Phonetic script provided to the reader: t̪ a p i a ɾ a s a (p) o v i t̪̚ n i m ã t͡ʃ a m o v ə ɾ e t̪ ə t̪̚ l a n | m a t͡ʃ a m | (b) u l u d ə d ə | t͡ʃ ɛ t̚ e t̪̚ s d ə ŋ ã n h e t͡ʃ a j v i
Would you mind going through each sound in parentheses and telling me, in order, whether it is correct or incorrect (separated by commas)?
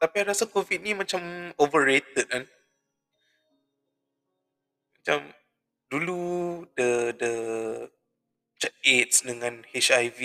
incorrect, incorrect